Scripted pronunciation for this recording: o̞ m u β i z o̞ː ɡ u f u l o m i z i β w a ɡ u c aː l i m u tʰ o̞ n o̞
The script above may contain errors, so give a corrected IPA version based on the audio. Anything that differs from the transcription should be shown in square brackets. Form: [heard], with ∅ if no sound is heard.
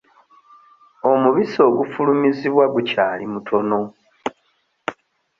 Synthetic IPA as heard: o̞ m u β i [s] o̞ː ɡ u f u l [u] m i z i β w a ɡ u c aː l i m u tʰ o̞ n o̞